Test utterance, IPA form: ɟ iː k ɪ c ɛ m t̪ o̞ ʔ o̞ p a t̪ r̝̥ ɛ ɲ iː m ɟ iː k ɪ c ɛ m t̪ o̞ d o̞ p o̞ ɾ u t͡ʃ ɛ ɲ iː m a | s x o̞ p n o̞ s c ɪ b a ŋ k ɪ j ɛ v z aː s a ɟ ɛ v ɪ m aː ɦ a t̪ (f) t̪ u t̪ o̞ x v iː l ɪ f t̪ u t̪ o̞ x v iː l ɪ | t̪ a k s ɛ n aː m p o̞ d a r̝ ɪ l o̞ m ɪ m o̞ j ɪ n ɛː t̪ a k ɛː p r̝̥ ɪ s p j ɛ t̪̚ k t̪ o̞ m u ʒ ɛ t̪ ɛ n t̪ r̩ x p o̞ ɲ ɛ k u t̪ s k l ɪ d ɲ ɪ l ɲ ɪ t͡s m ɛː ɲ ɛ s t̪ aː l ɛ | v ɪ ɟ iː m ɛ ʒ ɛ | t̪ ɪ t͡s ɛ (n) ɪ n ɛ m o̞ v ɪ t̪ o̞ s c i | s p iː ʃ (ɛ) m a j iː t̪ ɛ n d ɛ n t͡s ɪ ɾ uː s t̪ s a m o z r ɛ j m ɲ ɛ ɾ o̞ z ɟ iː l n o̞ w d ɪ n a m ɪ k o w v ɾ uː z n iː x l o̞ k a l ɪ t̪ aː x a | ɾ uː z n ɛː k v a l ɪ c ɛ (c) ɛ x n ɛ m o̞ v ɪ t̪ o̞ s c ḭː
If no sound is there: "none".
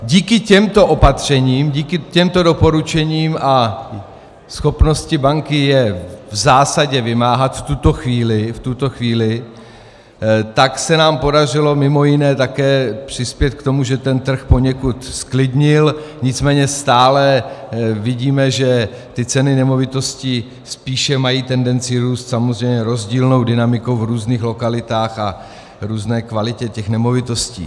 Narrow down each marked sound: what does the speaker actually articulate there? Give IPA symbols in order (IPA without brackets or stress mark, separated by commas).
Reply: f, n, ɛ, c